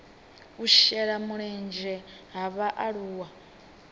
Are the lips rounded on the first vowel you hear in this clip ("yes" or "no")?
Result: yes